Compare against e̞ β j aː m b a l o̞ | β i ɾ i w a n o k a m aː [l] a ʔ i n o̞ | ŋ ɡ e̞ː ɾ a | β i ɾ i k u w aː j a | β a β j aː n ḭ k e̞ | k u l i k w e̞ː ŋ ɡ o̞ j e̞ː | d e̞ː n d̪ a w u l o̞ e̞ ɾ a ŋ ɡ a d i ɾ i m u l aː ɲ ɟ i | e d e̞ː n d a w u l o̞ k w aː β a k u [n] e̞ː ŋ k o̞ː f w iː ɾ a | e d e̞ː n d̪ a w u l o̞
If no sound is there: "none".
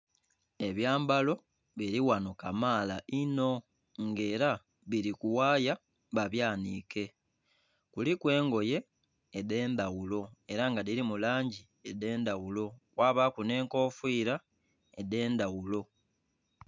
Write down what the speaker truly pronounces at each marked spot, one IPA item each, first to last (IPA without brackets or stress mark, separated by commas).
l, n